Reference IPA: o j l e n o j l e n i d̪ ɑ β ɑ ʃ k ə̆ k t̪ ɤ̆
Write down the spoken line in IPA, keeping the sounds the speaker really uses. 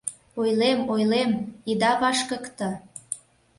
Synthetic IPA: o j l e m o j l e m i d̪ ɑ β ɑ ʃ k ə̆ k t̪ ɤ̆